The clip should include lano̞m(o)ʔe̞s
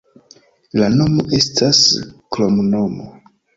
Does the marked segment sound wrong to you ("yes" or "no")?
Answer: no